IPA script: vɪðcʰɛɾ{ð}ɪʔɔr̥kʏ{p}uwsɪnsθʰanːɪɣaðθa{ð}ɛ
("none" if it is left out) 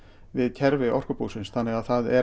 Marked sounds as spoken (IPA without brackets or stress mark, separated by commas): v, p, ð